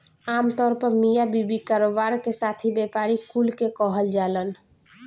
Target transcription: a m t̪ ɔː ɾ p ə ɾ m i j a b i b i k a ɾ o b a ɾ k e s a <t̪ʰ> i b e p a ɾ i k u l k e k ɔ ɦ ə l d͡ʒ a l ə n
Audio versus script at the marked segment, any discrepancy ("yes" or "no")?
no